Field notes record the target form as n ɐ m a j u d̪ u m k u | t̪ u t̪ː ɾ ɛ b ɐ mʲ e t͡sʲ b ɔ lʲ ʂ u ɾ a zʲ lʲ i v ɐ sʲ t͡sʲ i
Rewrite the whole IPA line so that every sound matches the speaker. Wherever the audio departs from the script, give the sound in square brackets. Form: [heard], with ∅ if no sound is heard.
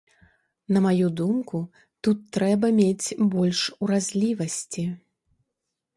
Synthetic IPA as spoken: n ɐ m a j u d̪ u m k u | t̪ u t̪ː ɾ ɛ b ɐ mʲ e t͡sʲ b ɔ lʲ ʂ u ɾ a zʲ lʲ i v ɐ sʲ t͡sʲ i